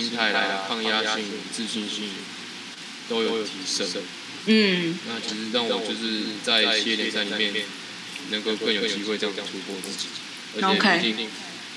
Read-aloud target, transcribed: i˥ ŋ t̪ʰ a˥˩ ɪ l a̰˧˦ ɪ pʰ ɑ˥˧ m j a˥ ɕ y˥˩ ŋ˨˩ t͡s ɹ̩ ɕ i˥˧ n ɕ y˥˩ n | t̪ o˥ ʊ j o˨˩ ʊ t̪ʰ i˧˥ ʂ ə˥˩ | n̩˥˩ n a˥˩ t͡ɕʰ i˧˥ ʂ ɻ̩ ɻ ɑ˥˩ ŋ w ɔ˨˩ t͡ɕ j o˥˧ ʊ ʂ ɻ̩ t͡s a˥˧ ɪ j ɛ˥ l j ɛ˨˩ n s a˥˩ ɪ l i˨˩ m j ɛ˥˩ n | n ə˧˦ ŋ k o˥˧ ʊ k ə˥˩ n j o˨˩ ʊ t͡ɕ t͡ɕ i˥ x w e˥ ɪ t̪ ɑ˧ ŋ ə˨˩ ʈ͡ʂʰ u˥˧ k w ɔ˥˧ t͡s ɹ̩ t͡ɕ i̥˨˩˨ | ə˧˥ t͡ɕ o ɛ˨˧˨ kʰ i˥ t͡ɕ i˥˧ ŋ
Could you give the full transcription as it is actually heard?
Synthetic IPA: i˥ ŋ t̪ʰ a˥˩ ɪ l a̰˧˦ ɪ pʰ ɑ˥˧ ŋ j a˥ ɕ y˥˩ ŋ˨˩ t͡s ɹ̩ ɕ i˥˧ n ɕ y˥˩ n | t̪ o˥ ʊ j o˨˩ ʊ t̪ʰ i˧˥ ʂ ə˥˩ | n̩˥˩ n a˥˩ t͡ɕʰ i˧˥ ʂ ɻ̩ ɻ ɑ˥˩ ŋ w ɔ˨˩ t͡ɕ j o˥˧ ʊ ʂ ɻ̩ t͡s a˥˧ ɪ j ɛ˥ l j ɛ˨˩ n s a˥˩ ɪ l i˨˩ m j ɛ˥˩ n | n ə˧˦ ŋ k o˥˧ ʊ k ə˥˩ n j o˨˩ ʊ t͡ɕ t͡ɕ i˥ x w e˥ ɪ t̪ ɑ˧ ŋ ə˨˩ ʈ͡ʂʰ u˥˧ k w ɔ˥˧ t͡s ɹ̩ t͡ɕ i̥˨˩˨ | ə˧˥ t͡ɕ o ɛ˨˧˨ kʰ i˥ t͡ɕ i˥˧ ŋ